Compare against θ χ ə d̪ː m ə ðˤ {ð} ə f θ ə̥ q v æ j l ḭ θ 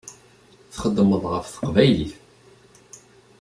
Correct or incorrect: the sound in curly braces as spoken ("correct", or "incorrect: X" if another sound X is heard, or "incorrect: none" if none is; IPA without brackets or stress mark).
incorrect: ʁ